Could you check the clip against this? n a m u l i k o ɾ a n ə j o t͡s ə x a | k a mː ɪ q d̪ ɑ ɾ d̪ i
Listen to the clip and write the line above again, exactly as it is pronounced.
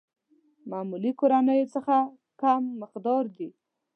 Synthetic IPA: m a m u l i k o ɾ a n ə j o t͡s ə x a | k a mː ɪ q d̪ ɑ ɾ d̪ i